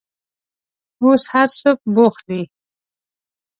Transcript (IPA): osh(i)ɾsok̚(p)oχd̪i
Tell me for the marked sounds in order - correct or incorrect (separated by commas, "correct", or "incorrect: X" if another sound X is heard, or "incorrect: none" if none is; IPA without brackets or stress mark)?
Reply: incorrect: a, incorrect: b